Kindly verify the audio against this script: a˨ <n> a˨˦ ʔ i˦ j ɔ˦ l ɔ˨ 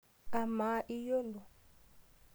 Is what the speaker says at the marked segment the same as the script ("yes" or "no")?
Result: no